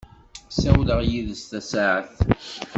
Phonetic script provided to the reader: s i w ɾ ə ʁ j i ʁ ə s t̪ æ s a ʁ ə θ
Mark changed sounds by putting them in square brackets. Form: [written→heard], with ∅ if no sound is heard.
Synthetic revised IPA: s [i→æ] w [ɾ→l] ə ʁ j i [ʁ→ð] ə s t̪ æ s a [ʁ→ʕ] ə θ